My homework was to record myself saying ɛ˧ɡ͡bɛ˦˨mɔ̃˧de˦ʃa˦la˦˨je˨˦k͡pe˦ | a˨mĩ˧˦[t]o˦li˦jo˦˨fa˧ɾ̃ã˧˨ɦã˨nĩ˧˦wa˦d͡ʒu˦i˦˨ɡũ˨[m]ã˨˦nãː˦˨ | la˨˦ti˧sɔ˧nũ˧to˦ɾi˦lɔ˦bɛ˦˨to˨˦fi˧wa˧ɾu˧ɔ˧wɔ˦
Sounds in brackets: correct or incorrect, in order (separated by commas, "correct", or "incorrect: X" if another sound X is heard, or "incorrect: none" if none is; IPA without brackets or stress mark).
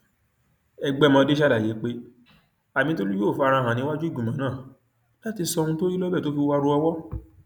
correct, correct